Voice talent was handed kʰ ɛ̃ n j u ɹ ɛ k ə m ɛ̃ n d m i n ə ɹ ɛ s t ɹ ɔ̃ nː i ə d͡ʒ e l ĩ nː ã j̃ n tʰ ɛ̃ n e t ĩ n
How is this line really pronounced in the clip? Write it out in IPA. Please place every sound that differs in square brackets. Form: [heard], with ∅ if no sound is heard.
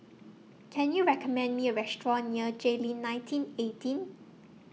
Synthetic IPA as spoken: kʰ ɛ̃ n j u ɹ ɛ k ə m ɛ̃ n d m i [∅] ə ɹ ɛ s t ɹ ɔ̃ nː i ə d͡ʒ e l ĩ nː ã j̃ n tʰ [ĩ] n e t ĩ n